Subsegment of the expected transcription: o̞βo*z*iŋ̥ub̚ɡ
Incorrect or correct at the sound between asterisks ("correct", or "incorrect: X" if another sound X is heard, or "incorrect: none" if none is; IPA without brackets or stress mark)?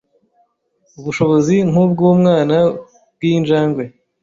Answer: correct